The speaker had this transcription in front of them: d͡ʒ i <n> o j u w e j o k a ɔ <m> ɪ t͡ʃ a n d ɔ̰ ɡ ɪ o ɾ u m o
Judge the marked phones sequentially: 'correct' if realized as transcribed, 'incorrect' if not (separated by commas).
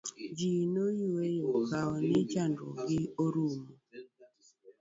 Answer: correct, incorrect